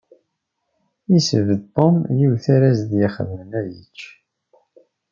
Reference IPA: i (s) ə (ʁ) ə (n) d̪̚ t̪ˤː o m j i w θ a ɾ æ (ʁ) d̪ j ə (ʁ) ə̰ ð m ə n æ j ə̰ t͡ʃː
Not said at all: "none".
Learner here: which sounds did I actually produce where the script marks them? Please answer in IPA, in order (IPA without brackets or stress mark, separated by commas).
s, v, none, z, χ